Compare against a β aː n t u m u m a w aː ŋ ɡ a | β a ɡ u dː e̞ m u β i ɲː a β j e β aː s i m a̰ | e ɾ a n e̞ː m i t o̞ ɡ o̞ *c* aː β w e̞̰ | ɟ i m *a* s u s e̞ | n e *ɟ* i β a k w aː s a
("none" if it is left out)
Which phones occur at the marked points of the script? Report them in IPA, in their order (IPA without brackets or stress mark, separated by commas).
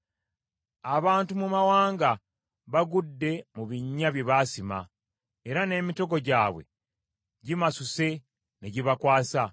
ɟ, a, ɟ